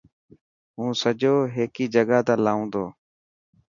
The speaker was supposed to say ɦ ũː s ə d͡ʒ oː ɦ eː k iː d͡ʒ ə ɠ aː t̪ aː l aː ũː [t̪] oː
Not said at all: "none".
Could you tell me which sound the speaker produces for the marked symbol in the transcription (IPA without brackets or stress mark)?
d̪